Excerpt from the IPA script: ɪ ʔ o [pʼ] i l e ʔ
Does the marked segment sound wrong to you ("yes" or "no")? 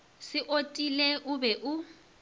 yes